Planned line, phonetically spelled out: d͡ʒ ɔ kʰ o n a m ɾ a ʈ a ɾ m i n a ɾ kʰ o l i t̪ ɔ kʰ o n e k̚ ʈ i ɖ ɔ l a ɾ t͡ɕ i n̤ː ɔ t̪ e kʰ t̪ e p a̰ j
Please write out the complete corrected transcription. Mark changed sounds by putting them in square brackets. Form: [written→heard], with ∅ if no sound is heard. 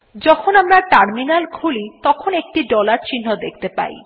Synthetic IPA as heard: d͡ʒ ɔ kʰ o n a m ɾ a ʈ a ɾ m i n a [ɾ→l] kʰ [o→u] l i t̪ ɔ kʰ o n e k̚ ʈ i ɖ ɔ l a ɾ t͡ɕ i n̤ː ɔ [t̪→d̪] e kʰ t̪ e p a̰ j